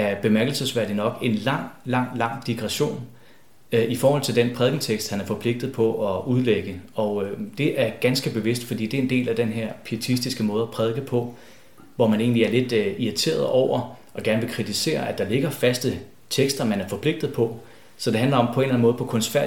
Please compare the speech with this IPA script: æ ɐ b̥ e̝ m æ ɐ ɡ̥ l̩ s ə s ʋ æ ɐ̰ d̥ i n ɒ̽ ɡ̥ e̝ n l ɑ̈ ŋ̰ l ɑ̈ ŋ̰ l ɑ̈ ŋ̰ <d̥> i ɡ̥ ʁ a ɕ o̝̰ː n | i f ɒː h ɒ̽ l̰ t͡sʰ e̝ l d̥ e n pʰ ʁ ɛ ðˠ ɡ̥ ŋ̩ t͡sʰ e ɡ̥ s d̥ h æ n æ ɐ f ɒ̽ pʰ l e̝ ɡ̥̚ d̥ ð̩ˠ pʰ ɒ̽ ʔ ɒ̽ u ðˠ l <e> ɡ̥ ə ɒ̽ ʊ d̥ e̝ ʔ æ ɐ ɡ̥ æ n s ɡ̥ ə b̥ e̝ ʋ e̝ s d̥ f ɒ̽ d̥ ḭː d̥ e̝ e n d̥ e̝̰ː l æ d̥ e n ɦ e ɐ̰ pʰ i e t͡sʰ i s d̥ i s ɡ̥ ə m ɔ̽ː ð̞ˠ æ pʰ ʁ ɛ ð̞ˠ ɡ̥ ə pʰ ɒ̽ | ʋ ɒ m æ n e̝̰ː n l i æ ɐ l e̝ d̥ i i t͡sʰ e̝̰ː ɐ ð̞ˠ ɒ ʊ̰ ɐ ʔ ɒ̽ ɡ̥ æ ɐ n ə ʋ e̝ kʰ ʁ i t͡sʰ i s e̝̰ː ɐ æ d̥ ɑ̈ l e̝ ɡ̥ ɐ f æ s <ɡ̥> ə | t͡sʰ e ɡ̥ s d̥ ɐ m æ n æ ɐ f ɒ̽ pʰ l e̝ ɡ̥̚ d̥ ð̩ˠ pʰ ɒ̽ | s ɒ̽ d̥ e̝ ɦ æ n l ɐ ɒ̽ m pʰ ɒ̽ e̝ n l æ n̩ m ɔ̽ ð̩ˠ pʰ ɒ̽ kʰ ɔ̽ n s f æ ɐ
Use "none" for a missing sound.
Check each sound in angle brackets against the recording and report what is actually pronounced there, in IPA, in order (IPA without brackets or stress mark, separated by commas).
d̥, e, d̥